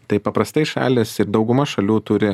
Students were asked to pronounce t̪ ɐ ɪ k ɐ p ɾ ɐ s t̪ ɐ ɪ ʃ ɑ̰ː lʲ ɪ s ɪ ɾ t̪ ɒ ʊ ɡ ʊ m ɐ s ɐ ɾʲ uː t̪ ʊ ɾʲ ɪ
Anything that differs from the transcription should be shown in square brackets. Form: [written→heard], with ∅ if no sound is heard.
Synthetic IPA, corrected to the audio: t̪ ɐ ɪ [k→p] ɐ p ɾ ɐ s t̪ ɐ ɪ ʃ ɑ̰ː lʲ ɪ s ɪ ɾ [t̪→d̪] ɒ ʊ ɡ ʊ m ɐ [s→ʃ] ɐ [ɾʲ→lʲ] uː t̪ ʊ ɾʲ ɪ